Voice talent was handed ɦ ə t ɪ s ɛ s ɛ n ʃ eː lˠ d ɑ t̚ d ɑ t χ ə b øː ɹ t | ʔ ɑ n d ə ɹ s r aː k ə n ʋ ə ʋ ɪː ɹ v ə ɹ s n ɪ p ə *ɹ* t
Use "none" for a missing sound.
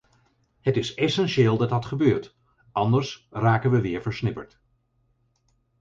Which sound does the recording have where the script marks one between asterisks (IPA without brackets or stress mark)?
ɹ